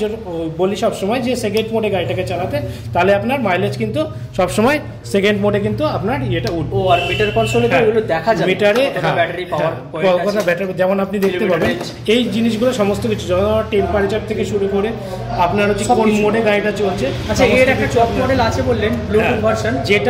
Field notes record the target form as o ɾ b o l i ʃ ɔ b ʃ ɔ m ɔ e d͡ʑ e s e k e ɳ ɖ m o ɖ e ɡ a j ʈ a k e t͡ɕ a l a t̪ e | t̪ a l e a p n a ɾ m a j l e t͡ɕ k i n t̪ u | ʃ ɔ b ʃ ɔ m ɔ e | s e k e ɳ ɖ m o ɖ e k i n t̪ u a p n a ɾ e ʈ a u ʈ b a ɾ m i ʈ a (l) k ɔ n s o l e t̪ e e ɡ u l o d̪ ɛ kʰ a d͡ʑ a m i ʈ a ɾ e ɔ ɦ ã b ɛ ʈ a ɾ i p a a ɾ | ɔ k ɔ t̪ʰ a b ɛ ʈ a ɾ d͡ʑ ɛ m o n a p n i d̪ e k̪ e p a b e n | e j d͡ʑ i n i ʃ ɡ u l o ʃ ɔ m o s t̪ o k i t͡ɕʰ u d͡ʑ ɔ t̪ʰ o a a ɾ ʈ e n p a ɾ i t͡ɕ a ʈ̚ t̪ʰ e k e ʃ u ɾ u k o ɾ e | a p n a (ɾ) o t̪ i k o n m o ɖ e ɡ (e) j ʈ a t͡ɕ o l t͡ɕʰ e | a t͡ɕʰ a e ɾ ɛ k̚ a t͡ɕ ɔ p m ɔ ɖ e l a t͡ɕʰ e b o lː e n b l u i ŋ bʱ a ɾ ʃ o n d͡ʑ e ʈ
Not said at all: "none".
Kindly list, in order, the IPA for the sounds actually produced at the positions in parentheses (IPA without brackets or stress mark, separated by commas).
ɾ, ɾ, a